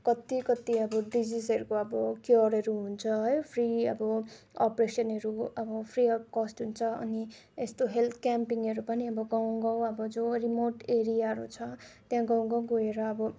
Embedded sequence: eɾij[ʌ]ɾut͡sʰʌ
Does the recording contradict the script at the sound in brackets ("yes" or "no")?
yes